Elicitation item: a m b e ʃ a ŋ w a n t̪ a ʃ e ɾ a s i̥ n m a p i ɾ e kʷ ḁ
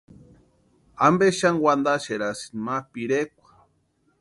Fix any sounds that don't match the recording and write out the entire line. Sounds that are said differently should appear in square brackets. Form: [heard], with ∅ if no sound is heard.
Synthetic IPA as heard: a m b e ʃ a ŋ w a n [d̪] a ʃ e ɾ a s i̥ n m a p i ɾ e kʷ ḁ